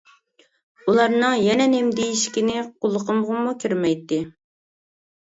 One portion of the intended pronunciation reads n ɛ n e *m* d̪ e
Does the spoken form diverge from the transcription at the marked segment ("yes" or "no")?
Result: no